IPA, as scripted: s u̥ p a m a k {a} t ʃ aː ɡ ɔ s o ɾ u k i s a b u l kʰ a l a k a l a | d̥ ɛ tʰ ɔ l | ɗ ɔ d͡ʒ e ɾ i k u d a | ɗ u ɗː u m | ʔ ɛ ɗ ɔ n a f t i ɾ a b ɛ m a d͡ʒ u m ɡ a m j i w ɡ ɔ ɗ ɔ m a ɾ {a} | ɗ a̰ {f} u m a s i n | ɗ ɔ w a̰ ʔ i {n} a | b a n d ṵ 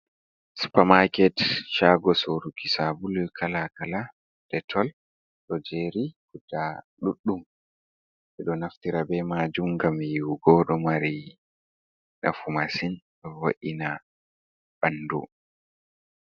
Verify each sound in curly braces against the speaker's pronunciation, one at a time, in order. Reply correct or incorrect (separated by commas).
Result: incorrect, incorrect, correct, correct